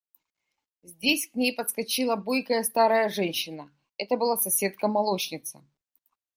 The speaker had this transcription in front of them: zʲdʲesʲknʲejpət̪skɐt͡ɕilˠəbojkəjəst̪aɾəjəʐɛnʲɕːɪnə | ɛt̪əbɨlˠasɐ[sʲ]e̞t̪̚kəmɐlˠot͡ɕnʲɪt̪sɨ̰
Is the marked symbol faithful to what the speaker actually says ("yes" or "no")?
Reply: yes